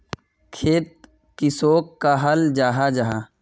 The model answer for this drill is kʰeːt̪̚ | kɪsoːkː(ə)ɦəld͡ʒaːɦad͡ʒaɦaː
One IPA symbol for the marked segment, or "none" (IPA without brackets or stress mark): a